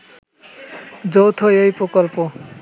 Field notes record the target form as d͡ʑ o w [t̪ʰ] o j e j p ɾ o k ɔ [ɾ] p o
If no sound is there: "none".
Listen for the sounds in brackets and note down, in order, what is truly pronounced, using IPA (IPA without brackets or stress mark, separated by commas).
t̪ʰ, l